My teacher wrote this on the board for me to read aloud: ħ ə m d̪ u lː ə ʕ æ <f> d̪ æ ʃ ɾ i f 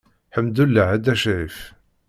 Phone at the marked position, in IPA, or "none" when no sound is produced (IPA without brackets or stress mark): none